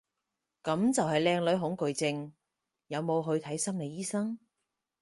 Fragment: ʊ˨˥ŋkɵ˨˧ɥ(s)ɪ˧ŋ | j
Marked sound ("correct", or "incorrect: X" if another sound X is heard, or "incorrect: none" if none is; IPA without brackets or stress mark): incorrect: t͡s